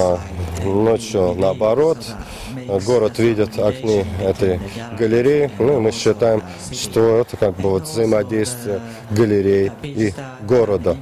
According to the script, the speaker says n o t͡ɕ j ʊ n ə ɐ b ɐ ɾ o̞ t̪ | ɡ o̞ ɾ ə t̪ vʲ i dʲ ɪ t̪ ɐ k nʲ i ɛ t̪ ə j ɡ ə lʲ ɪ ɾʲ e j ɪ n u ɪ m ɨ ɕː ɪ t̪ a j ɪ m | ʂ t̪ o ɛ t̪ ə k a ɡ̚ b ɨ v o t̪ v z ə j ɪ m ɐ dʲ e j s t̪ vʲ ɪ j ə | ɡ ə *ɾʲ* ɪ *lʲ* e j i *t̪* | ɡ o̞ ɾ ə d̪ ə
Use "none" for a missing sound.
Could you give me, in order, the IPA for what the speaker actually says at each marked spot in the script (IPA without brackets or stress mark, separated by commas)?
lʲ, ɾʲ, none